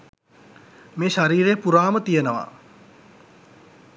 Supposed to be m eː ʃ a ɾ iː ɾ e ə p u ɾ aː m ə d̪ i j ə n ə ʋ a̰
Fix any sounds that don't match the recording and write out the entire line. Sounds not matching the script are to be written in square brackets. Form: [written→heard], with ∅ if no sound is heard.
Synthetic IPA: m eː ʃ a ɾ iː ɾ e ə p u ɾ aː m ə [d̪→t̪] i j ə n ə ʋ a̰